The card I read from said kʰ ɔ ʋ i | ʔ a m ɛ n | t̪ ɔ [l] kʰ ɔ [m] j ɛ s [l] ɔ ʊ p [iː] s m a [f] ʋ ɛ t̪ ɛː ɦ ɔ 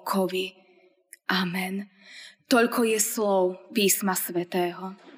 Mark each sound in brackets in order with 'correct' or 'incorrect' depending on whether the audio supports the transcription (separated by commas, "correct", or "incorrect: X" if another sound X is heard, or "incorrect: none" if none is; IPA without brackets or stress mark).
incorrect: ʎ, incorrect: none, correct, correct, incorrect: s